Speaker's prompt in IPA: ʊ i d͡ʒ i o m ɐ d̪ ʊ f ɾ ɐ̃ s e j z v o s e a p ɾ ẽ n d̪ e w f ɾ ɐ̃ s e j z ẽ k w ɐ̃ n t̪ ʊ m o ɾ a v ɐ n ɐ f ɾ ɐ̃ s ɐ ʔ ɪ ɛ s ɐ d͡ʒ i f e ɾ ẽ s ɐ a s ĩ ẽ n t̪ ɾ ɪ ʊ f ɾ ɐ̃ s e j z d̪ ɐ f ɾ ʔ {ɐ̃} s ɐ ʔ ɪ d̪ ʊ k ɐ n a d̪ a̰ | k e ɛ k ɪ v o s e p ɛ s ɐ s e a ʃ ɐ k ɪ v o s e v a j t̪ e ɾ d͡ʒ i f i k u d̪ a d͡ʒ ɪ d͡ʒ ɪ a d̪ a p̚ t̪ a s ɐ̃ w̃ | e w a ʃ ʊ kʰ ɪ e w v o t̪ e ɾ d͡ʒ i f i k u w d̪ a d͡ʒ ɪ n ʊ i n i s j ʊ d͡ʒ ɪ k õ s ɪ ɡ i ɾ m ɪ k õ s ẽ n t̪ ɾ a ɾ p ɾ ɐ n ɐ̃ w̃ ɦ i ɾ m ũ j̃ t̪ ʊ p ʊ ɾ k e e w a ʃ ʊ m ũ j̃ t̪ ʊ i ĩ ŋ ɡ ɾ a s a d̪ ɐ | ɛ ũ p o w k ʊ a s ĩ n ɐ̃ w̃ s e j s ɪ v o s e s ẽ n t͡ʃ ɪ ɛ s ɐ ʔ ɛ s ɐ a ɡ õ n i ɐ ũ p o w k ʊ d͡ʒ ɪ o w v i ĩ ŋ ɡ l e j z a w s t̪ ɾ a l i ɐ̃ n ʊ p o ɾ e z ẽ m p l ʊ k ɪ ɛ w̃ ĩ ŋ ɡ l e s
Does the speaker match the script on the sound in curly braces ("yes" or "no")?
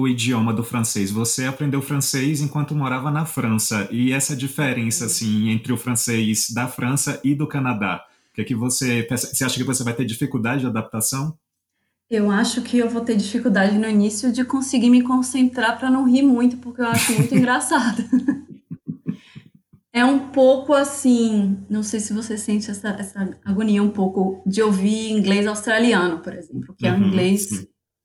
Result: yes